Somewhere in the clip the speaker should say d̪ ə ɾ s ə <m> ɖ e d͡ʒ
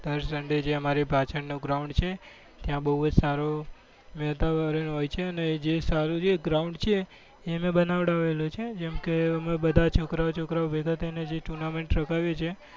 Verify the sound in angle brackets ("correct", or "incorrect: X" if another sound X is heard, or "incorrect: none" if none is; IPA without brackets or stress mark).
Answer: incorrect: ɳ